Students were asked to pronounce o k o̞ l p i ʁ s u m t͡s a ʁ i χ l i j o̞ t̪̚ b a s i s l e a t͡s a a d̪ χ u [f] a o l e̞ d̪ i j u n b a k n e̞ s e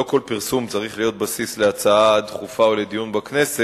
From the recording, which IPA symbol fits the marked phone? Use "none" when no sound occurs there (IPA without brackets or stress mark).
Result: f